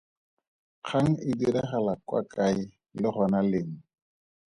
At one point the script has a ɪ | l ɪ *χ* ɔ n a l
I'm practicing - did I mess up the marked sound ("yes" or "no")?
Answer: no